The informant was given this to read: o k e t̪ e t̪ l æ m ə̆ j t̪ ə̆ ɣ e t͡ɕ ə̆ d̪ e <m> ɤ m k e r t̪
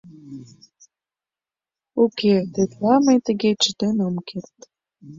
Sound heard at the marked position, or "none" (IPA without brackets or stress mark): n